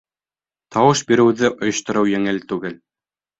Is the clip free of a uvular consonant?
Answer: yes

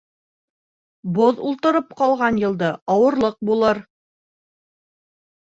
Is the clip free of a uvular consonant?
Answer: no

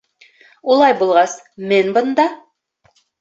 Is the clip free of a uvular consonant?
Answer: no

